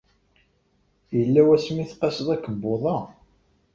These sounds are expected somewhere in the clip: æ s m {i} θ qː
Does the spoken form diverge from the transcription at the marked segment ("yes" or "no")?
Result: no